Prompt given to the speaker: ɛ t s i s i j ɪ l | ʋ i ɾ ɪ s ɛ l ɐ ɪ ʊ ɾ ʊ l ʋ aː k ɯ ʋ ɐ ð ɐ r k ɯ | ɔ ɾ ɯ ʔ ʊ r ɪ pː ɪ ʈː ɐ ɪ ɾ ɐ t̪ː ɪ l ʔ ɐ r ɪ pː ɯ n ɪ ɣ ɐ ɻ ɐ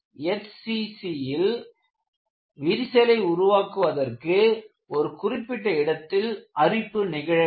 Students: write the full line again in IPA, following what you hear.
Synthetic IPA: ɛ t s i s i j ɪ l | ʋ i ɾ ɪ s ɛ l ɐ ɪ ʊ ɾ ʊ ʋ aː k ɯ ʋ ɐ ð ɐ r k ɯ | ɔ ɾ ɯ k ʊ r ɪ pː ɪ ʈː ɐ ɪ ɽ ɐ t̪ː ɪ l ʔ ɐ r ɪ pː ɯ n ɪ ɣ ɐ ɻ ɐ